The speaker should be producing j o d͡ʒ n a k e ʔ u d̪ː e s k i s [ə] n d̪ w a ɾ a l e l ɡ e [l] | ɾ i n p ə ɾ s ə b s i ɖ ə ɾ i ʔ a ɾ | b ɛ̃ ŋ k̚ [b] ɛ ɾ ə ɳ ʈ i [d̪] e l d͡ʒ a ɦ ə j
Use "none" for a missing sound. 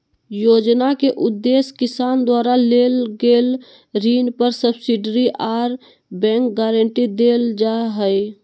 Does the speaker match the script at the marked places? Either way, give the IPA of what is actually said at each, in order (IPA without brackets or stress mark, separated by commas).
a, l, ɡ, d̪